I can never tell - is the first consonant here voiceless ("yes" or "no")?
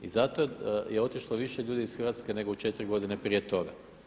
no